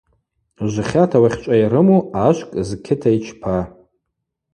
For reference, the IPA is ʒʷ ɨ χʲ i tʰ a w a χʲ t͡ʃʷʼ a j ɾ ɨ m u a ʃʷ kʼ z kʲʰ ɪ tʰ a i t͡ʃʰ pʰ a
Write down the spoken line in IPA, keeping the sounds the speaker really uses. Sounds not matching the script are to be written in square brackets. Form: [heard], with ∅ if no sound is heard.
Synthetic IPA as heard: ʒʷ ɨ χʲ [a] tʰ a w a χʲ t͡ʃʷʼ a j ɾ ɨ m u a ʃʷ kʼ z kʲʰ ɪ tʰ a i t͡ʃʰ pʰ a